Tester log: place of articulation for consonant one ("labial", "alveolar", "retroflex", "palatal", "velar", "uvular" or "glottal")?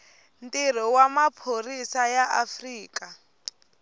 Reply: alveolar